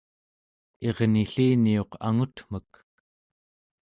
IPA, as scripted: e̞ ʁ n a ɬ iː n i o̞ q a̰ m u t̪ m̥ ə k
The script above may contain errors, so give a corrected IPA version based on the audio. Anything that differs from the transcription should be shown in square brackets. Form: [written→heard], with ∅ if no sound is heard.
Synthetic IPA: e̞ ʁ n [a→i] ɬ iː n i o̞ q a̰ [m→ŋ] u t̪ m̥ ə k